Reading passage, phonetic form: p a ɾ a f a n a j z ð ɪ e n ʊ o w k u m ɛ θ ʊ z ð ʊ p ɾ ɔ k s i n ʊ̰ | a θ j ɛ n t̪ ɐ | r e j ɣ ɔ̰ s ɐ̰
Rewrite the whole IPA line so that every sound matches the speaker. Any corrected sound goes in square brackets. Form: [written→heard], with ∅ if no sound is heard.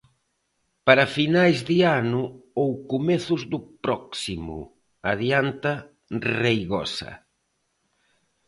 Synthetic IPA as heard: p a ɾ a f [a→i] n a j z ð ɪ [e→a] n ʊ o w k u m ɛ θ ʊ z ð ʊ p ɾ ɔ k s i [n→m] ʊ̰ | a [θ→ð] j [ɛ→a] n t̪ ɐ | r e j ɣ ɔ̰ s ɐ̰